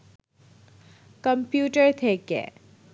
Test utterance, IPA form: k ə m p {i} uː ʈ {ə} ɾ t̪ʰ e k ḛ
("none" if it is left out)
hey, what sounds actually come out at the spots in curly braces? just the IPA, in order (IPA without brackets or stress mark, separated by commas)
j, ə